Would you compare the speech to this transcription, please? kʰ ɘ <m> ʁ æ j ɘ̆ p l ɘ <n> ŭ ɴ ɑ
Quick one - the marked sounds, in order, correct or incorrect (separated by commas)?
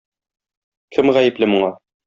correct, incorrect